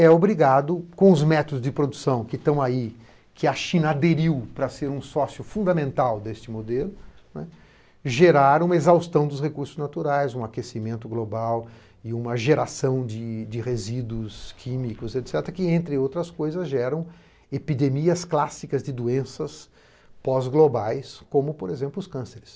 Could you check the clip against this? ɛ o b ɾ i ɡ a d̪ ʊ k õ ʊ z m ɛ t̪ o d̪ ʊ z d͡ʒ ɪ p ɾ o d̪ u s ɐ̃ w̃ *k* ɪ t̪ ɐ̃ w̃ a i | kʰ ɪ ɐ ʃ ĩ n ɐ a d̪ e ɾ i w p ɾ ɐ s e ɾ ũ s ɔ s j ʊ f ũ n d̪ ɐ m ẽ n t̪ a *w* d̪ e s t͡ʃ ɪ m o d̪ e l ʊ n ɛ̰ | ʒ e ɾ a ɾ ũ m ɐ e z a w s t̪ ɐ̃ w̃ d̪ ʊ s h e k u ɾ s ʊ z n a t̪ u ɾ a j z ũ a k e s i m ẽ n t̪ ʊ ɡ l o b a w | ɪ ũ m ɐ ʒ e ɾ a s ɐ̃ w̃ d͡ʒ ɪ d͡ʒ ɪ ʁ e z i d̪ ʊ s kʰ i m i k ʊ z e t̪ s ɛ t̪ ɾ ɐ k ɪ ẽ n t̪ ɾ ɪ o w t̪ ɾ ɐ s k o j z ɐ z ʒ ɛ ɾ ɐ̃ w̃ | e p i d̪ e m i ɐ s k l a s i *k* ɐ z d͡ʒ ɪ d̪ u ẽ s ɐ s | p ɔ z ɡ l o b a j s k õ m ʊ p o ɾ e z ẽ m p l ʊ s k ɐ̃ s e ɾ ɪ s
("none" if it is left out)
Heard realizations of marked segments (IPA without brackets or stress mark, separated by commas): k, w, k